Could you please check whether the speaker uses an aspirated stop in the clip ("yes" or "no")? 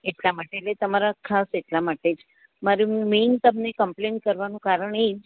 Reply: yes